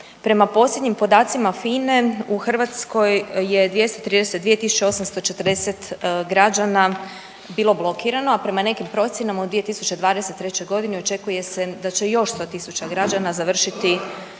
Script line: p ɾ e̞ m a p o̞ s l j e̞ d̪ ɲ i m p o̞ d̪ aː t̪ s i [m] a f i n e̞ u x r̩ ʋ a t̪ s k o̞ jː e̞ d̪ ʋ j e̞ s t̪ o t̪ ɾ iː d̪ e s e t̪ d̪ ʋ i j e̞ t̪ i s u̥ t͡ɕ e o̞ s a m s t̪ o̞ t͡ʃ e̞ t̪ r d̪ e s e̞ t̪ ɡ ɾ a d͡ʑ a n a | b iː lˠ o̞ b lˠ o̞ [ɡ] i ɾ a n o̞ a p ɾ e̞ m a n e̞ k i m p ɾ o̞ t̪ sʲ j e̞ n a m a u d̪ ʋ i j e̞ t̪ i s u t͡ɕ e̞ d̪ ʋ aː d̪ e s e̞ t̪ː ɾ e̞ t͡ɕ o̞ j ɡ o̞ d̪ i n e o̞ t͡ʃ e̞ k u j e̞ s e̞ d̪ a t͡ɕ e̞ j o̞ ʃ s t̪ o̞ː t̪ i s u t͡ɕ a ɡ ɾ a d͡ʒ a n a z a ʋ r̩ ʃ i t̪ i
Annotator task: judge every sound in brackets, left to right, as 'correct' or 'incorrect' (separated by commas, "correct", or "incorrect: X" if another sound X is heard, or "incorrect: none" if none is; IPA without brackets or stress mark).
correct, incorrect: k